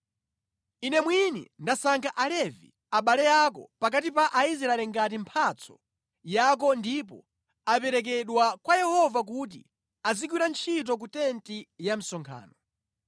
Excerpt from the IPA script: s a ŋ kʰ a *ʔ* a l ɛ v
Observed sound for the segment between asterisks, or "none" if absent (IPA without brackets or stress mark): ʔ